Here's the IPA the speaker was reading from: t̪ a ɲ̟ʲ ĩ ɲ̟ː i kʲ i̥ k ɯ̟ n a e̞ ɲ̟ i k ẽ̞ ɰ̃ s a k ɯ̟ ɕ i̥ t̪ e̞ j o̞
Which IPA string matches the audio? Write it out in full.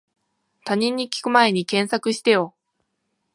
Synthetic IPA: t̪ a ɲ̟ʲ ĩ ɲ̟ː i kʲ i̥ k ɯ̟ m a e̞ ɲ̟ i k ẽ̞ ɰ̃ s a k ɯ̟ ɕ i̥ t̪ e̞ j o̞